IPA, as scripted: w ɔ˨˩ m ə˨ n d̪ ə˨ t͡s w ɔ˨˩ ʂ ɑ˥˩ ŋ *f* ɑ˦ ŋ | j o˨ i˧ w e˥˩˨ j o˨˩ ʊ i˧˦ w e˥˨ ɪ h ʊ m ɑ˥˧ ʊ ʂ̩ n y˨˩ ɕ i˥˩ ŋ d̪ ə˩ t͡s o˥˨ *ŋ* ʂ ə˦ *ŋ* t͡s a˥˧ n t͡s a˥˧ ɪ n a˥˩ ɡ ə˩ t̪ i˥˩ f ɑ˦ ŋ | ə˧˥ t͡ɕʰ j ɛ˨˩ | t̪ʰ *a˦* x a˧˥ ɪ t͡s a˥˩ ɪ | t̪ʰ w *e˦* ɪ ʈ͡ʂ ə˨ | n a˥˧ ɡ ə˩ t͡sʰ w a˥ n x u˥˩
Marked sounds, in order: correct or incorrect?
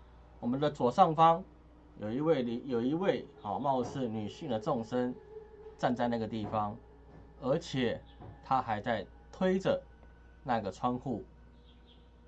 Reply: correct, correct, incorrect: n, correct, correct

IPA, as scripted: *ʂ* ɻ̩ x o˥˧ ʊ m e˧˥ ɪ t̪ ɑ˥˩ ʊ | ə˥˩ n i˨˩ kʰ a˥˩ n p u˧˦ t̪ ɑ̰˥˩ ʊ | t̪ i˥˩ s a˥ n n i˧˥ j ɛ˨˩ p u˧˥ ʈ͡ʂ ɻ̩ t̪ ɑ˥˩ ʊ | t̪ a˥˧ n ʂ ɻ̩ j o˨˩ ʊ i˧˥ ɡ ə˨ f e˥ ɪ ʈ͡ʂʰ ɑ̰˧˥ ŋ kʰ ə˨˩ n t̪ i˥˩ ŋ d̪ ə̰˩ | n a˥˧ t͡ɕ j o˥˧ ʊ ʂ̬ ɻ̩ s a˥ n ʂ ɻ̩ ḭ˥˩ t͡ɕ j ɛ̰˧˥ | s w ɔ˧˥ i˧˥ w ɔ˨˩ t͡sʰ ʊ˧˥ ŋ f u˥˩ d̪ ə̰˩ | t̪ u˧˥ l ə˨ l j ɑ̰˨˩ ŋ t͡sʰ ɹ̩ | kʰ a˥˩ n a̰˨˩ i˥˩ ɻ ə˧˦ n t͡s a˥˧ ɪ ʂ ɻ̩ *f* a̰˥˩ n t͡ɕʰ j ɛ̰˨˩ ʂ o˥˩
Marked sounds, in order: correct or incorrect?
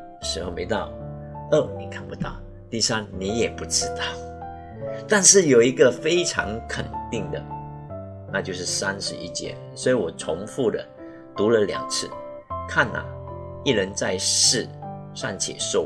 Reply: correct, incorrect: ʂ

